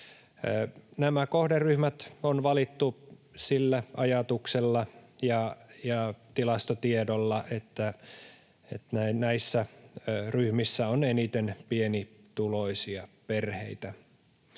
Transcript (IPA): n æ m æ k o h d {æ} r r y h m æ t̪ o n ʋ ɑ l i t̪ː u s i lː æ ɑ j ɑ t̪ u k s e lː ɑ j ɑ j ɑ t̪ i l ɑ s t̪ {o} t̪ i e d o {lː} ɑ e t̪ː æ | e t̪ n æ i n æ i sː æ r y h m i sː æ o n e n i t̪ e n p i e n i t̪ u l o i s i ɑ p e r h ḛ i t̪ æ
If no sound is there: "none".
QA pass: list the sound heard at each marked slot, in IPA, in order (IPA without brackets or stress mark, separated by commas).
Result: e, o, lː